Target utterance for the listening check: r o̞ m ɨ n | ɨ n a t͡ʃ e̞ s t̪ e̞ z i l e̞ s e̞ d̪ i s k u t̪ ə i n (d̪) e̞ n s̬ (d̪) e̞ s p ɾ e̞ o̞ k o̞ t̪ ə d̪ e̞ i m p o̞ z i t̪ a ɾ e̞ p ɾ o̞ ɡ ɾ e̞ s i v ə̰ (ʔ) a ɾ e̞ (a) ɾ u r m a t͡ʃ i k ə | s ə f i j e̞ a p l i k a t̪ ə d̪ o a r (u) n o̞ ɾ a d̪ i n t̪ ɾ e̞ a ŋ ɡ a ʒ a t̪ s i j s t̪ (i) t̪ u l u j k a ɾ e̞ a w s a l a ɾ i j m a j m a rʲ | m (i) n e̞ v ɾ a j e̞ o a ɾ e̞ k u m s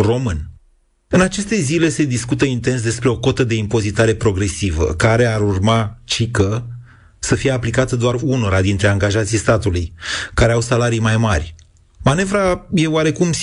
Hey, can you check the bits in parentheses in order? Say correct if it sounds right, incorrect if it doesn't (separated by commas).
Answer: incorrect, correct, incorrect, correct, correct, incorrect, incorrect